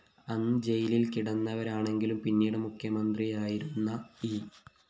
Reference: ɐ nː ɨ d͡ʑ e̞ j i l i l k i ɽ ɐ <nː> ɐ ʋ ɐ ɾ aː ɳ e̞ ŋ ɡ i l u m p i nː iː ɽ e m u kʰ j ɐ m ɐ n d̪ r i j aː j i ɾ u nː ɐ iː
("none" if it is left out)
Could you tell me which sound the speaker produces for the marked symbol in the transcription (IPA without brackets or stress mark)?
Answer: nː